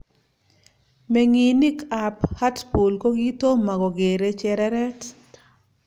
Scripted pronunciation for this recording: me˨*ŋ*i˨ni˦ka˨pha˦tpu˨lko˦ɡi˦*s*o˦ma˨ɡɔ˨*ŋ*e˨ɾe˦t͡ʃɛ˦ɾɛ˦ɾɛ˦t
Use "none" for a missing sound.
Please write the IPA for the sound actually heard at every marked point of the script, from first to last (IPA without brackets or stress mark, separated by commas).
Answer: ŋ, t, ɡ